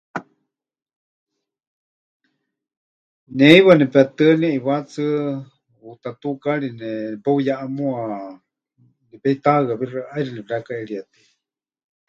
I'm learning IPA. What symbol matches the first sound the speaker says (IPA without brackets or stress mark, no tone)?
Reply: n